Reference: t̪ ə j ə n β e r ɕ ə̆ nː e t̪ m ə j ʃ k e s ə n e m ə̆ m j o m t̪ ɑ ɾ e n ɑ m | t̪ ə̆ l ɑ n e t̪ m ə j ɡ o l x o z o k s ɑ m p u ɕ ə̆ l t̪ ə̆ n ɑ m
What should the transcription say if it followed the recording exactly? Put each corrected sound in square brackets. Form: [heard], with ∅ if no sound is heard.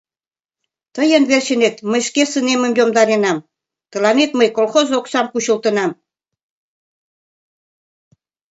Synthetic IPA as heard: t̪ ə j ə n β e r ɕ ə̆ [n] e t̪ m ə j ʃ k e s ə n e m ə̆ m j o m [d̪] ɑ ɾ e n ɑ m | t̪ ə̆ l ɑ n e t̪ m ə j [k] o l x o z o k s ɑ m [k] u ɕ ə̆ l t̪ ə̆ n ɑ m

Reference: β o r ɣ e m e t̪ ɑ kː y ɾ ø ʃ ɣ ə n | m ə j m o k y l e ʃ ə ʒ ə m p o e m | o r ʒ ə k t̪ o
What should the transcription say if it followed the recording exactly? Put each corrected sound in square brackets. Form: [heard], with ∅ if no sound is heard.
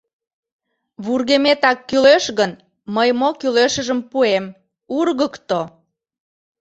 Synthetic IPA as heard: β [u] r ɣ e m e t̪ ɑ kː y [l] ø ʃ ɣ ə n | m ə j m o k y l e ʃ ə ʒ ə m p [u] e m | [u] r [ɣ] ə k t̪ o

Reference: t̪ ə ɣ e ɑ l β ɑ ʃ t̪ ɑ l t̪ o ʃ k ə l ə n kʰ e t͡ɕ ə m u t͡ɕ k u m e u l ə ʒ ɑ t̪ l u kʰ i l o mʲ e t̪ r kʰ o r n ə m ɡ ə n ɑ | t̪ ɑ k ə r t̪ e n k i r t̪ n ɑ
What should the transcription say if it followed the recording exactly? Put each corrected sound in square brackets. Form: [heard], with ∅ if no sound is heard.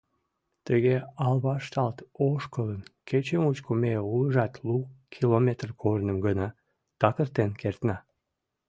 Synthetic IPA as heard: t̪ ə ɣ e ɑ l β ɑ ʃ t̪ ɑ l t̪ o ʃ k ə l ə n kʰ e t͡ɕ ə m u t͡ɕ k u m e u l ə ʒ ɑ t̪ l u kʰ i l o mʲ e t̪ r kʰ o r n ə m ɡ ə n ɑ | t̪ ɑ k ə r t̪ e n k [e] r t̪ n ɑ

